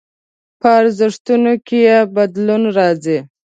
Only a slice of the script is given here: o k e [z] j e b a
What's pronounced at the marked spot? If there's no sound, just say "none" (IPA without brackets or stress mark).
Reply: none